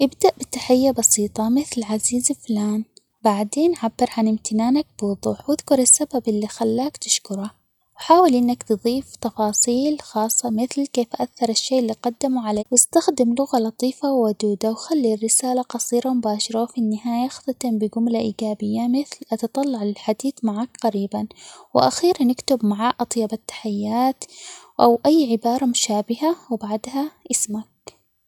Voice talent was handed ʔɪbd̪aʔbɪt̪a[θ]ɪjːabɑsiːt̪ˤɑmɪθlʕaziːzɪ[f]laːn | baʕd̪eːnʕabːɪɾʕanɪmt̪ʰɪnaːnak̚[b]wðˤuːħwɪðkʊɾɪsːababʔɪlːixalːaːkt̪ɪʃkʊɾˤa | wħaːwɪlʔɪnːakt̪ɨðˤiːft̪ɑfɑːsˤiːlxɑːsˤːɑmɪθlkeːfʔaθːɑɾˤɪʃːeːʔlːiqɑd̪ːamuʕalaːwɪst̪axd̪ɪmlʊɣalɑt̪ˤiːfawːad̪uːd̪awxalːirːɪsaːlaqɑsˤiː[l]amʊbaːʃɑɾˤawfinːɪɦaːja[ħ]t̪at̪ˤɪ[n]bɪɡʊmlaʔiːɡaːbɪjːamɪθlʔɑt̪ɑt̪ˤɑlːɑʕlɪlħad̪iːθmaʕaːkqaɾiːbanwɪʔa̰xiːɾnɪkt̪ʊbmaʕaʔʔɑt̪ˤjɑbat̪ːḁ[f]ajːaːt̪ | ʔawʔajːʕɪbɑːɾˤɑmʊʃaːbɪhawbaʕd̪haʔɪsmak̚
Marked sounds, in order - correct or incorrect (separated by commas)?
incorrect, correct, correct, incorrect, incorrect, incorrect, incorrect